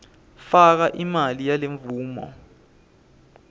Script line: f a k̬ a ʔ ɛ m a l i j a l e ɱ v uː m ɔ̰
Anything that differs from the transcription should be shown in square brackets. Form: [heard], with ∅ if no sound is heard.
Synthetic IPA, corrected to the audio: f a k̬ a ʔ [i] m a l i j a l e ɱ v uː m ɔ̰